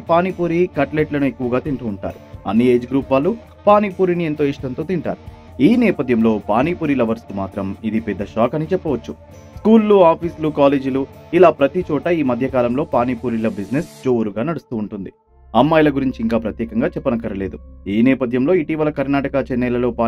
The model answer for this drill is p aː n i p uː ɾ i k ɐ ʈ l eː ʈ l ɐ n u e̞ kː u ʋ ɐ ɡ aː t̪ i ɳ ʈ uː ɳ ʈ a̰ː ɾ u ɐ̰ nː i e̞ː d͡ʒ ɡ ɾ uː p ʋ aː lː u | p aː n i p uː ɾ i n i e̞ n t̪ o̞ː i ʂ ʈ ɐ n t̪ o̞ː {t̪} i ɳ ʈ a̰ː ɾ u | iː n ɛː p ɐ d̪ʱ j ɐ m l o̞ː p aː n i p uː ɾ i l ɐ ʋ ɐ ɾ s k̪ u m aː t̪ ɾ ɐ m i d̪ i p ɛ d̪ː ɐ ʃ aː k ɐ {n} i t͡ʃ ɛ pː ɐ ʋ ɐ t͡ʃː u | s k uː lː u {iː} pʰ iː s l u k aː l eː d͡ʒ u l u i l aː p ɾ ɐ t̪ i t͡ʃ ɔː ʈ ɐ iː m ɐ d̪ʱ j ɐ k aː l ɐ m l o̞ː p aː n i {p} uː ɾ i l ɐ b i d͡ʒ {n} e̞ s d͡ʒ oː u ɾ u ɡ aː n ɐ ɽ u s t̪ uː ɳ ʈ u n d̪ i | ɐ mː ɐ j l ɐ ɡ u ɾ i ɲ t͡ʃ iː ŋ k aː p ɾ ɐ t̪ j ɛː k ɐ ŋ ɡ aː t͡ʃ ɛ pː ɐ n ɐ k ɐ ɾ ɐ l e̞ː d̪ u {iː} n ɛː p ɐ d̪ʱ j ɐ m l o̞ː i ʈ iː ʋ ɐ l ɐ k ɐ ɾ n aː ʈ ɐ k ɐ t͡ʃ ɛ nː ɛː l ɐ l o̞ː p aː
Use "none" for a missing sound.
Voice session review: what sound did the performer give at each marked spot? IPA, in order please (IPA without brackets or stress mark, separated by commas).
t̪, n, aː, p, n, iː